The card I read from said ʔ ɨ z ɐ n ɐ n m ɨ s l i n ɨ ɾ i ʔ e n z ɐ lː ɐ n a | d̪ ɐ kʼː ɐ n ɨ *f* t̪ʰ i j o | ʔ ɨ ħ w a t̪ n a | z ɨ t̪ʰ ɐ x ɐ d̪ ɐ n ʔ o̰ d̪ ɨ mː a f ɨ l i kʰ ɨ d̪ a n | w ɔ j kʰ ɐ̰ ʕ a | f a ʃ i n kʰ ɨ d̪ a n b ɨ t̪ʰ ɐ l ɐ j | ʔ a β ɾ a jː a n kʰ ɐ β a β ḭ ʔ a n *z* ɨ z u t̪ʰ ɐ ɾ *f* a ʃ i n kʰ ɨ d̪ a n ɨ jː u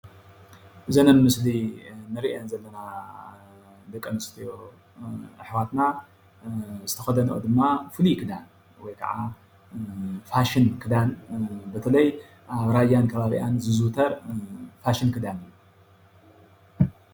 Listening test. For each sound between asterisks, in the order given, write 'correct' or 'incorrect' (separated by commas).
incorrect, correct, correct